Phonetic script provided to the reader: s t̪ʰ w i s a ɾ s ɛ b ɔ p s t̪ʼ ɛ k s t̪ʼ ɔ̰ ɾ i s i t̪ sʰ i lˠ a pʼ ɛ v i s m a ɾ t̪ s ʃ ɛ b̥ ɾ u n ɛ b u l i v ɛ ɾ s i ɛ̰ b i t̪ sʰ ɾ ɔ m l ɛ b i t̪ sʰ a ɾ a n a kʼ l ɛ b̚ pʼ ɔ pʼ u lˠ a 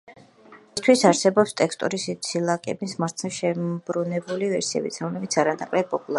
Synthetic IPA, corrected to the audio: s t̪ʰ w i s a ɾ s ɛ b ɔ p s t̪ʼ ɛ k s t̪ʼ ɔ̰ ɾ i s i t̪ sʰ i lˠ a kʼ ɛ b i s m a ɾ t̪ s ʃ ɛ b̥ ɾ u n ɛ b u l i v ɛ ɾ s i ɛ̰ b i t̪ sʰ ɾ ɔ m l ɛ b i t̪ sʰ a ɾ a n a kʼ l ɛ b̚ pʼ ɔ pʼ u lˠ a